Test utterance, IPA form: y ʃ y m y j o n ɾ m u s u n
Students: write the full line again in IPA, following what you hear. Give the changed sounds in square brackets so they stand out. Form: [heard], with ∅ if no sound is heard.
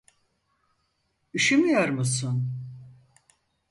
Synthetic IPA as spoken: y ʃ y m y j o [∅] ɾ m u s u n